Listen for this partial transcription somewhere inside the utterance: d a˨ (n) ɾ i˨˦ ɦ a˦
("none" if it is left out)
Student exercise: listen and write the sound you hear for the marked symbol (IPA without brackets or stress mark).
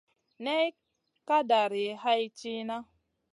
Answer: none